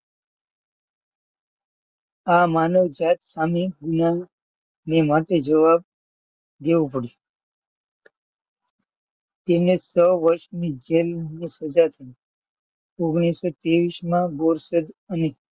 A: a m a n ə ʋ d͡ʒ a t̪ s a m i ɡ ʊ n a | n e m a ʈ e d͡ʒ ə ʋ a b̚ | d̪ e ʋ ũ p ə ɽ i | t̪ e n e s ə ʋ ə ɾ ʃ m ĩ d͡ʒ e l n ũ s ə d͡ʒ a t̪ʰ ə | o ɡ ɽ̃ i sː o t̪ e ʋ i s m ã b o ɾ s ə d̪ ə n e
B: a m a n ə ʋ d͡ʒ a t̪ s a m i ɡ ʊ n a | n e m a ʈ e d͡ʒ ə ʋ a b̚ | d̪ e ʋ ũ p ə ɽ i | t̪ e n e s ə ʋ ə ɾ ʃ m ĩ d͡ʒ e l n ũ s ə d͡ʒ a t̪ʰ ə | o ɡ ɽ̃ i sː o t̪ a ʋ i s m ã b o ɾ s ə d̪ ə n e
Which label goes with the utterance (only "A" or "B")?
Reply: A